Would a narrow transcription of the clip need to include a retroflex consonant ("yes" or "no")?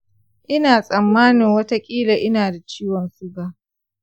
no